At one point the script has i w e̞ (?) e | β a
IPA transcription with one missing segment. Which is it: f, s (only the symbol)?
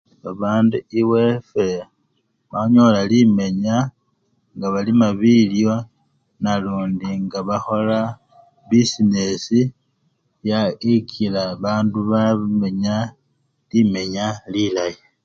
f